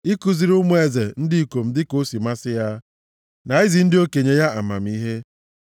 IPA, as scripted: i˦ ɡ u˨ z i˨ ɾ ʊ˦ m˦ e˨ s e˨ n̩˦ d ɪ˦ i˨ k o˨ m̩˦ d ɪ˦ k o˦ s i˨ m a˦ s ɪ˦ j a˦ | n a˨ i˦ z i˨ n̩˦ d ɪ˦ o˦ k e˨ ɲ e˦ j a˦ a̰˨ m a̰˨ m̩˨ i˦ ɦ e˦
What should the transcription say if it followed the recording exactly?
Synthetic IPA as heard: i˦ k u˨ z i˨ ɾ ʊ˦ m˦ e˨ z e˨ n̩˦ d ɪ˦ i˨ k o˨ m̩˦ d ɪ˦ k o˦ s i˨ m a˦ s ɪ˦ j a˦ | n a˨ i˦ z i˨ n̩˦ d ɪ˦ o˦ k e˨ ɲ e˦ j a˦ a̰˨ m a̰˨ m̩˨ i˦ ɦ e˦